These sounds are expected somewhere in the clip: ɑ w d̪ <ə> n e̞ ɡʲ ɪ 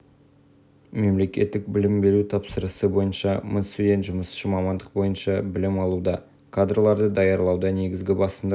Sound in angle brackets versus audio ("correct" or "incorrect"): incorrect